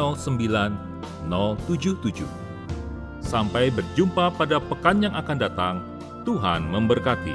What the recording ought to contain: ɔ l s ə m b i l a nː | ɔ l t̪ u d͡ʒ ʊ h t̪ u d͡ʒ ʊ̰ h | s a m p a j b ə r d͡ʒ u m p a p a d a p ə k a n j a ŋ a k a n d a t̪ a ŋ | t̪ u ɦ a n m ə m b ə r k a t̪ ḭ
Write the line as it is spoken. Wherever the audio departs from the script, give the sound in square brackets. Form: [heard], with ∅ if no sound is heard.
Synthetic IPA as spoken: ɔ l s ə m b i l a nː | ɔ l t̪ u d͡ʒ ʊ h t̪ u d͡ʒ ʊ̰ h | s a m p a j b ə r d͡ʒ u m p a p a d a p ə k a n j a ŋ a k a n d a t̪ a ŋ | t̪ u ɦ a n m ə m b ə r k a t̪ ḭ